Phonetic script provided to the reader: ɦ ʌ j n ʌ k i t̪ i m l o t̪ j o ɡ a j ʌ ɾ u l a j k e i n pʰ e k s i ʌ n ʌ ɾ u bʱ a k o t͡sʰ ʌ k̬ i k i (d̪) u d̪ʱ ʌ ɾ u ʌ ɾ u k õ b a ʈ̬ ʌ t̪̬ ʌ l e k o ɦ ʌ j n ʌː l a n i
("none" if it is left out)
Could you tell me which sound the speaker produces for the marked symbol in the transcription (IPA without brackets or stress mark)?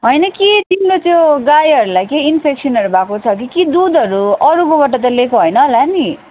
d̪